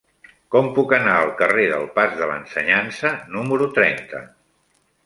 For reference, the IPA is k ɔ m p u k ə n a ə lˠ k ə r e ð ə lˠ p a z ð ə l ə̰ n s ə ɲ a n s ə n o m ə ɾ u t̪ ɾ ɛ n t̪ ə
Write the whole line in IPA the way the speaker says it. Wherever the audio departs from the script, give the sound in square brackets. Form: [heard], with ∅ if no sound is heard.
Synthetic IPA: k ɔ m p u k ə n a ə lˠ k ə r e ð ə lˠ p a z ð ə l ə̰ n s ə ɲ a n s ə n [u] m ə ɾ u t̪ ɾ ɛ n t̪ ə